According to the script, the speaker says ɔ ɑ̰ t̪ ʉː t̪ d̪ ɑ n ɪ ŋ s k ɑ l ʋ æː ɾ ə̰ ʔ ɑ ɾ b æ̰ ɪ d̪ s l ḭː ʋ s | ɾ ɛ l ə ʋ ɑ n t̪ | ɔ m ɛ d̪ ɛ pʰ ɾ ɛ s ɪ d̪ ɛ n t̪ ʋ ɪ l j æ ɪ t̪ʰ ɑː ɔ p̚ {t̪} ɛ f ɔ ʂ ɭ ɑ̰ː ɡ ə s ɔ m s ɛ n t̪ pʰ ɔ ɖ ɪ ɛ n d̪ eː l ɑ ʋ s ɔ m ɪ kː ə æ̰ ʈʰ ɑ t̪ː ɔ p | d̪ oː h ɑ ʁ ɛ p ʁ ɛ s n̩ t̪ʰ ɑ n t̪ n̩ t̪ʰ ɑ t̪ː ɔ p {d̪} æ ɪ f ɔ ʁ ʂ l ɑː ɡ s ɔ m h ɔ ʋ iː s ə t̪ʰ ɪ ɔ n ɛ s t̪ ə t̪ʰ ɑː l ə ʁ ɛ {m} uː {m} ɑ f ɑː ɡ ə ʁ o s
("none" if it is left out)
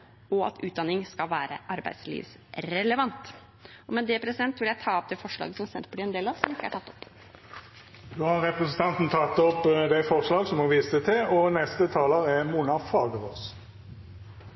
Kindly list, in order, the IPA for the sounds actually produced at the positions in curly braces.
d̪, d̪, m, n

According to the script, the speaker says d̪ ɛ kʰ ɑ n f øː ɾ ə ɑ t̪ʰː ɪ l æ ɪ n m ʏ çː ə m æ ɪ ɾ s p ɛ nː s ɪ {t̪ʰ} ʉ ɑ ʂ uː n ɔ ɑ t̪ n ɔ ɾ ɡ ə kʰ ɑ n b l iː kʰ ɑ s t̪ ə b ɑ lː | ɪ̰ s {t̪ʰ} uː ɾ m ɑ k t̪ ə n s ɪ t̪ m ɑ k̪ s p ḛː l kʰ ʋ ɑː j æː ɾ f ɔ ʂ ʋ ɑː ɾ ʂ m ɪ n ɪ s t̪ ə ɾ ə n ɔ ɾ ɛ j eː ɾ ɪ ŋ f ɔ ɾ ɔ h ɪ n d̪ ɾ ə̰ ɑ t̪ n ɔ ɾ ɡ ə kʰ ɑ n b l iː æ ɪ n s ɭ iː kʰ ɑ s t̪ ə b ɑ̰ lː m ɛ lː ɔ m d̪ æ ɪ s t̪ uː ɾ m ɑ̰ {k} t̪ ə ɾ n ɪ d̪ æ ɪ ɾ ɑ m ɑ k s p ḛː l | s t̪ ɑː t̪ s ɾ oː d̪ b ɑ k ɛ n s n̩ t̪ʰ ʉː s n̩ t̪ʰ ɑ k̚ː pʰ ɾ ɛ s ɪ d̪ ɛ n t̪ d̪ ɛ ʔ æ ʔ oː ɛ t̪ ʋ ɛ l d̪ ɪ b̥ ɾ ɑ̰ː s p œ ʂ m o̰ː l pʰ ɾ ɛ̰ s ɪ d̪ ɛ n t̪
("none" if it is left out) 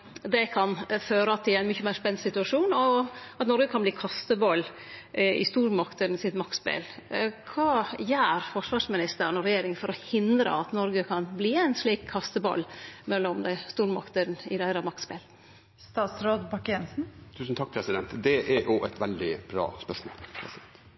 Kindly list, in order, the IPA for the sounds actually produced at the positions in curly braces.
t̪, t̪, k

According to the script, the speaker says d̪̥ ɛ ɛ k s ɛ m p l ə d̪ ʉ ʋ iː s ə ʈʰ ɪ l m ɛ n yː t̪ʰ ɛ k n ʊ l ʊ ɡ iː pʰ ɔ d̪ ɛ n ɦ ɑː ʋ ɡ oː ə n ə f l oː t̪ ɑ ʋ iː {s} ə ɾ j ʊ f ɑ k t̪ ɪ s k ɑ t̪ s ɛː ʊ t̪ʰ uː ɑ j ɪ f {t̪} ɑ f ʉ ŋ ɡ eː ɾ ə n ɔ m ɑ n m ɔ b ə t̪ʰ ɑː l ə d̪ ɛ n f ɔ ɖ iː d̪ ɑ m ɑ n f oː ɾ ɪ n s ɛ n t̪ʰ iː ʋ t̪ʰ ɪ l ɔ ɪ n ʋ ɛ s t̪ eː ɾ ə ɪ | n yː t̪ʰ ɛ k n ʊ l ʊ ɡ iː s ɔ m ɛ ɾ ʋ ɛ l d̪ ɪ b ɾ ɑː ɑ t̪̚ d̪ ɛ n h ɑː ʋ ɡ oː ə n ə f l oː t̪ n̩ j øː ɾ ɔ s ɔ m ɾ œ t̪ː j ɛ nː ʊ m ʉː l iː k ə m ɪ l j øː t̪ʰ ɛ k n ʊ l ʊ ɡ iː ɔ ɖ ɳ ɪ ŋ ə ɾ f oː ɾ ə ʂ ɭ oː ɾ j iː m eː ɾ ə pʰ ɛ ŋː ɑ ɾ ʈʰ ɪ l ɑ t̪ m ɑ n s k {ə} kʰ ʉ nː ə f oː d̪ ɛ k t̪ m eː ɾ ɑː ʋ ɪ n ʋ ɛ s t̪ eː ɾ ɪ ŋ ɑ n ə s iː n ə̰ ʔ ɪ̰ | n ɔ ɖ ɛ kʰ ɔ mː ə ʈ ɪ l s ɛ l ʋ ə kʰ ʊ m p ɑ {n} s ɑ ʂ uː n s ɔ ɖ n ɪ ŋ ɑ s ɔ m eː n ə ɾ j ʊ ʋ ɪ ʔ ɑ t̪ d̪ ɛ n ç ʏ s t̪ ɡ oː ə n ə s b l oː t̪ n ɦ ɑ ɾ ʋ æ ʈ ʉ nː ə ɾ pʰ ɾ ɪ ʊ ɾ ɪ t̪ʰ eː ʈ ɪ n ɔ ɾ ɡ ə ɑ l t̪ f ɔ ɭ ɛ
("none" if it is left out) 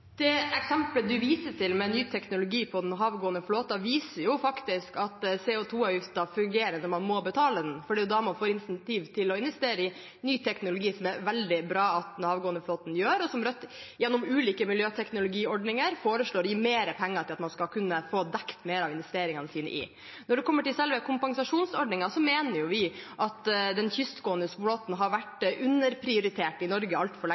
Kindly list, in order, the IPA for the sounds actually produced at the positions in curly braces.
s, t̪, ɑ, ŋ

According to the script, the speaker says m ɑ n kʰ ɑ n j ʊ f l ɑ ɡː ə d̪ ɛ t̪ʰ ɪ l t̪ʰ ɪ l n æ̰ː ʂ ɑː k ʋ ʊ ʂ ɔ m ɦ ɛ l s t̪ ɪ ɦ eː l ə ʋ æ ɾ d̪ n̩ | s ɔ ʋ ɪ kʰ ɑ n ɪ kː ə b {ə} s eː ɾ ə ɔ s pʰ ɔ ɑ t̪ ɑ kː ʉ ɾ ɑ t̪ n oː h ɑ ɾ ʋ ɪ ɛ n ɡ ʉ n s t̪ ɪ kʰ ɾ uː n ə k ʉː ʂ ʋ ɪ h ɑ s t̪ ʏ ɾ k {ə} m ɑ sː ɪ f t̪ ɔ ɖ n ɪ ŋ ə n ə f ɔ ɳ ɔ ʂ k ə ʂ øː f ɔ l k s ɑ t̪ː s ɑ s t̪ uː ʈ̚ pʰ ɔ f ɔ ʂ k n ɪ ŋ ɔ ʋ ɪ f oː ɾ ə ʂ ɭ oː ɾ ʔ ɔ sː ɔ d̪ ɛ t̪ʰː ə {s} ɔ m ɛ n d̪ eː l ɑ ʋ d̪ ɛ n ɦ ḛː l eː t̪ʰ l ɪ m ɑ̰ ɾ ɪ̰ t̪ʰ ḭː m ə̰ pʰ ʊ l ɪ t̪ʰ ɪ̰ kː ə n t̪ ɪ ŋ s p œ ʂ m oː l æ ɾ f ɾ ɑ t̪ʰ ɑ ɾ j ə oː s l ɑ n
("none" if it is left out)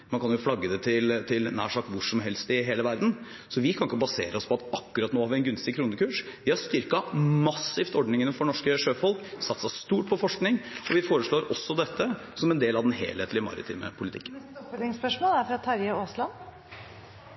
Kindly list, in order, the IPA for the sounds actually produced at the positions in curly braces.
ɑ, ɑ, s

